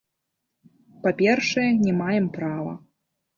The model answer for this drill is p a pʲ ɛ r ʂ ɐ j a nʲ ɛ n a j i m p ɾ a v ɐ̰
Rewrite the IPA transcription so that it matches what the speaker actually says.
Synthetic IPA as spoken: p a pʲ ɛ r ʂ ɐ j ɛ nʲ ɛ m a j ɛ m p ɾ a v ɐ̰